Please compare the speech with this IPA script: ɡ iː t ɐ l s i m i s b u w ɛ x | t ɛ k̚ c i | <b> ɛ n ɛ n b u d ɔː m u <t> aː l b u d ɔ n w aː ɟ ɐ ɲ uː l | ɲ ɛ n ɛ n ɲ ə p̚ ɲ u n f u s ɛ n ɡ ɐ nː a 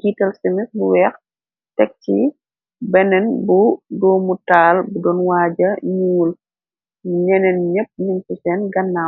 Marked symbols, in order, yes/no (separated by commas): yes, yes